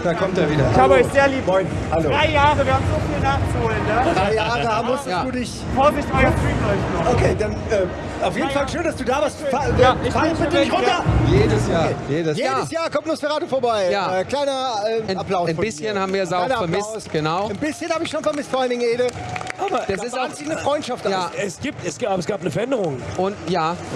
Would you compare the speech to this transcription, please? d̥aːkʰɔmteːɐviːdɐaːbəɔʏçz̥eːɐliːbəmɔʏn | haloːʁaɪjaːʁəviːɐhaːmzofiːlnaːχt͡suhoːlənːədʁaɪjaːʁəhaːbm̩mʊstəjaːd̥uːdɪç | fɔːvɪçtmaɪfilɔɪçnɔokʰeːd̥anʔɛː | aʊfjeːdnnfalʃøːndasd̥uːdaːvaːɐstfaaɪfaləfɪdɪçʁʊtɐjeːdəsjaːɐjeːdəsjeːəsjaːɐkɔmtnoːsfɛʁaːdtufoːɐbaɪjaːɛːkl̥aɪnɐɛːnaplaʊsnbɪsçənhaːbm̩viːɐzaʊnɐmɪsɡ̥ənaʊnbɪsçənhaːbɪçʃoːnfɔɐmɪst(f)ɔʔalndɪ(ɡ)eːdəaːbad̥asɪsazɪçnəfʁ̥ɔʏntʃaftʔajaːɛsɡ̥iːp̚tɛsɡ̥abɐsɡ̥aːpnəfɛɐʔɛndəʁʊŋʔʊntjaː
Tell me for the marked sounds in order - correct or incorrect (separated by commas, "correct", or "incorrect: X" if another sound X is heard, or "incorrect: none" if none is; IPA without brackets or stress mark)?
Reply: correct, incorrect: ŋ